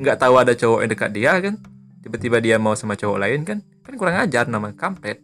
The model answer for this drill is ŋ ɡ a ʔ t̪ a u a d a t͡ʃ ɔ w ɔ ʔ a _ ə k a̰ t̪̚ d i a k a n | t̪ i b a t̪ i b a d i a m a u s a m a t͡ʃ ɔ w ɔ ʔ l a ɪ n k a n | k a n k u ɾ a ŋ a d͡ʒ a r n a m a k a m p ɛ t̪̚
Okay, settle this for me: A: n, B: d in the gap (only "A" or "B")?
B